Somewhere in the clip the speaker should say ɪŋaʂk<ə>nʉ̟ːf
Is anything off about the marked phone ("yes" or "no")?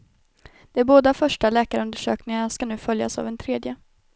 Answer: yes